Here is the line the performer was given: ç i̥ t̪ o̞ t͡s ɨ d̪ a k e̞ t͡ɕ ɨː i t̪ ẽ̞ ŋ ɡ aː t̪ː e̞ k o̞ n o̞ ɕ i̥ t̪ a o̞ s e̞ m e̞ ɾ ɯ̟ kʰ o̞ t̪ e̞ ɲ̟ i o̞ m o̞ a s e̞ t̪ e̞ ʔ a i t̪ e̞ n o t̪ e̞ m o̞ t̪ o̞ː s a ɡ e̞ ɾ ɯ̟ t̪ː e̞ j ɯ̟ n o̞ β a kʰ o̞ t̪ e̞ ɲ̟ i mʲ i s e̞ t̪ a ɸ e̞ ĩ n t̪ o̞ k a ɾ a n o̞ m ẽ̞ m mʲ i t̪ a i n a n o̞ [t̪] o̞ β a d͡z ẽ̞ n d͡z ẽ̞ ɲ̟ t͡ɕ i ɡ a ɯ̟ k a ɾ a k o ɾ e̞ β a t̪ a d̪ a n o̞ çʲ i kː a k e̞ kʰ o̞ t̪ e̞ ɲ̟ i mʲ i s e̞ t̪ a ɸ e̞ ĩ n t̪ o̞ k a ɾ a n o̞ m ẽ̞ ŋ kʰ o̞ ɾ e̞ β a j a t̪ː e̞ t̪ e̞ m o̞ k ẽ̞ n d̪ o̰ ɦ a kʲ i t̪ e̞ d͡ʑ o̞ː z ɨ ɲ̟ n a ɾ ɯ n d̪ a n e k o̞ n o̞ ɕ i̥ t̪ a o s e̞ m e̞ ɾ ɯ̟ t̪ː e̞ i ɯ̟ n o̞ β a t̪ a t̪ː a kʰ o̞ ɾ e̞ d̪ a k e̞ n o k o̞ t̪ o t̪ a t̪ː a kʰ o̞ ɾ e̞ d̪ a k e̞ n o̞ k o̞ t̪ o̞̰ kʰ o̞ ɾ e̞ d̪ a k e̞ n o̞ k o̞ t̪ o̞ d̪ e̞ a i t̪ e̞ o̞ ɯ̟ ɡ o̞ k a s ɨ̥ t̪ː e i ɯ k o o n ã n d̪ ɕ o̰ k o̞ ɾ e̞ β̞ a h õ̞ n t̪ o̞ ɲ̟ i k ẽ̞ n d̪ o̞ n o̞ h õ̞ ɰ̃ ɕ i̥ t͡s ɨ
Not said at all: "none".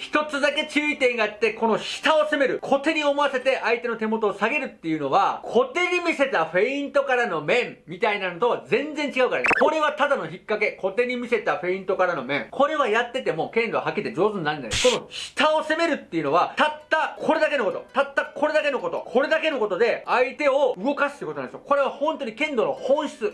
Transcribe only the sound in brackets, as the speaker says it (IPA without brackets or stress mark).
t̪